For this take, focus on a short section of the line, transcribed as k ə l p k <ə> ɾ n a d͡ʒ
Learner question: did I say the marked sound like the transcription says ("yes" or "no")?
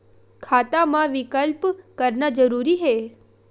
yes